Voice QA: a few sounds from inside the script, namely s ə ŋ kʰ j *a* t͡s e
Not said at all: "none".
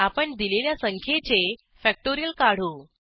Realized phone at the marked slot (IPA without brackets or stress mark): e